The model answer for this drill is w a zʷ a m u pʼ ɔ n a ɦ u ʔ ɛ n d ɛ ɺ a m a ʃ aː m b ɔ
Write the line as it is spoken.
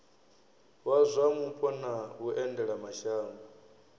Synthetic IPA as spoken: w a zʷ a m u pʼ ɔ n a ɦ u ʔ ɛ n d ɛ ɺ a m a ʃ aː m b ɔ